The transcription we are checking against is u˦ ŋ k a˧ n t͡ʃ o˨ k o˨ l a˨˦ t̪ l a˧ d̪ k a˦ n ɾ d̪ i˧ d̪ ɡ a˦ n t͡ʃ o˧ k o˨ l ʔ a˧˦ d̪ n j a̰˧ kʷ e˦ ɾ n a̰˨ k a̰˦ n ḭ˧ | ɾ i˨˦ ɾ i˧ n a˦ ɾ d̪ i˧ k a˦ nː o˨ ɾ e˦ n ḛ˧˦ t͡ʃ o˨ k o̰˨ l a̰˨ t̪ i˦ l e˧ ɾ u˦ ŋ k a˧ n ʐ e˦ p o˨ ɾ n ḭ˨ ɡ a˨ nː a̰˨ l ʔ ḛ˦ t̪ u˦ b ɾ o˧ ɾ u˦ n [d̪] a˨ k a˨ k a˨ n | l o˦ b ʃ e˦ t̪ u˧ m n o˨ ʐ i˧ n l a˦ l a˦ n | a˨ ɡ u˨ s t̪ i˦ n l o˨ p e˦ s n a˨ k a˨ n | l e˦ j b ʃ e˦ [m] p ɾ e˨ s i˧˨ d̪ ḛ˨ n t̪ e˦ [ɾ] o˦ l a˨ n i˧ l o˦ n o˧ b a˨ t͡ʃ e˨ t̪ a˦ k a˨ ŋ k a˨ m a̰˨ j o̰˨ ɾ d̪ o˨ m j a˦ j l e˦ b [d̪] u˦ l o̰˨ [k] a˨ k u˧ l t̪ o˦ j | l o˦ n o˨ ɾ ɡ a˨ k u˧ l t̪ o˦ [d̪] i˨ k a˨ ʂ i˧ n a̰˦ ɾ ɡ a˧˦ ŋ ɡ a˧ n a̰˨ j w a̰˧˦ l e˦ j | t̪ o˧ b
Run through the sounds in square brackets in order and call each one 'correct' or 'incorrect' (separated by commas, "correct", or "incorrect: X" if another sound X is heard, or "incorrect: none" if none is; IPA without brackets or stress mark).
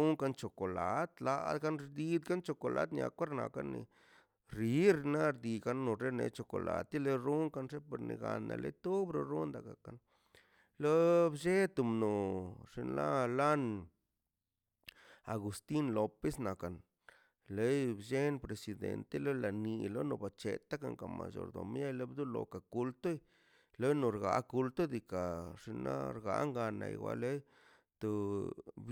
correct, incorrect: n, incorrect: l, correct, correct, correct